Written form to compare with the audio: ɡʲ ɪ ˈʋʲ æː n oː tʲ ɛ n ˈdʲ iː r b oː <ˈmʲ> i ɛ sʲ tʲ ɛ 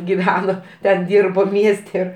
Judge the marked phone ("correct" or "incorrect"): correct